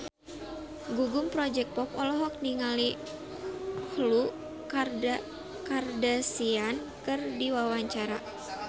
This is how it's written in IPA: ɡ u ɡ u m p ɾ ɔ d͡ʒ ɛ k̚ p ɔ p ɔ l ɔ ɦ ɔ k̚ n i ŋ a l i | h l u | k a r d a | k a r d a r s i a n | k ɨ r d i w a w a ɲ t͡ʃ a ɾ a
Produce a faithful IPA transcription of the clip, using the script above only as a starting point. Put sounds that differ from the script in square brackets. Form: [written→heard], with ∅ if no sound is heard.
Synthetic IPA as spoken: ɡ u ɡ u m p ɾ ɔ d͡ʒ ɛ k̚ p ɔ p ɔ l ɔ ɦ ɔ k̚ n i ŋ a l i | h l u | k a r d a | k a r d a [r→∅] s i a n | k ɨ r d i w a w a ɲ t͡ʃ a ɾ a